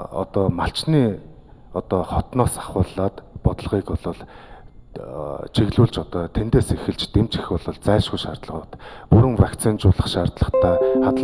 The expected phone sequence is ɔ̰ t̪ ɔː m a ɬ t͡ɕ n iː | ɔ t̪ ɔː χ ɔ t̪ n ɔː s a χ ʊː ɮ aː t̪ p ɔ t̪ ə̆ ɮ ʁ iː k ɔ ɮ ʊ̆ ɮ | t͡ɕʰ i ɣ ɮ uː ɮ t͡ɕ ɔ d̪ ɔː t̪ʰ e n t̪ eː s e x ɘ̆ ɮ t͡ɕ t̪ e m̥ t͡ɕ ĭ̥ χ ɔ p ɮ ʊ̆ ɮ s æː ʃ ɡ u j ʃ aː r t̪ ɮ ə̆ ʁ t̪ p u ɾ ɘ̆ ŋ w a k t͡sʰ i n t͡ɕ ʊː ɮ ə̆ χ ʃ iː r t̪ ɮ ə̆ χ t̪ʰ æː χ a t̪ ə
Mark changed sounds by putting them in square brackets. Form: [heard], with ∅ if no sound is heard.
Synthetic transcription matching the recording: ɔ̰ t̪ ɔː m a ɬ t͡ɕ n iː | ɔ t̪ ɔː χ ɔ t̪ n ɔː s a χ ʊː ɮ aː t̪ p ɔ t̪ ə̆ ɮ ʁ iː k ɔ ɮ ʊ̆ ɮ | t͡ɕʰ i ɣ ɮ uː ɮ t͡ɕ ɔ [t̪] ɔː t̪ʰ e n t̪ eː s e x ɘ̆ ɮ t͡ɕ t̪ e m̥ t͡ɕ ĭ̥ [x] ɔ [∅] ɮ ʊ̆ ɮ [t͡s] æː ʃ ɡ u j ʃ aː r t̪ ɮ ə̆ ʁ t̪ p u ɾ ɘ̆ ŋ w a k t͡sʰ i n t͡ɕ ʊː ɮ ə̆ χ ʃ [aː] r t̪ ɮ ə̆ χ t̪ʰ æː χ a t̪ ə